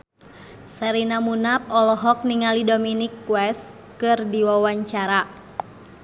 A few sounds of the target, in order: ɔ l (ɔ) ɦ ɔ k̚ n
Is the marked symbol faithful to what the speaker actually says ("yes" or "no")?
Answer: yes